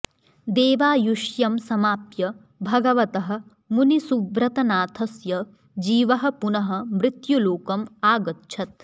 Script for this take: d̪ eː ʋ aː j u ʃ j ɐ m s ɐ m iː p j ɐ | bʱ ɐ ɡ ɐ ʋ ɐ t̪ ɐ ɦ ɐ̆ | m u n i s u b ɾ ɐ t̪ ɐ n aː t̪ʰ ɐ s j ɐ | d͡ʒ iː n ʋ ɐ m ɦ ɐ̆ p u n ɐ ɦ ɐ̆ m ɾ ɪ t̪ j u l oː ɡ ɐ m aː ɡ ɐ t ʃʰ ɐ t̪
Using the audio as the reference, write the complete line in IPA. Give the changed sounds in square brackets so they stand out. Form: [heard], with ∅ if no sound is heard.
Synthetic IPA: d̪ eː ʋ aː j u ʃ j ɐ m s ɐ m [aː] p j ɐ | bʱ ɐ ɡ ɐ ʋ ɐ t̪ ɐ ɦ ɐ̆ | m u n i s u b ɾ ɐ t̪ ɐ n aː t̪ʰ ɐ s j ɐ | d͡ʒ iː [∅] ʋ ɐ [∅] ɦ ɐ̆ p u n ɐ ɦ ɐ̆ m ɾ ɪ t̪ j u l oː [k] ɐ m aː ɡ ɐ t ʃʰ ɐ t̪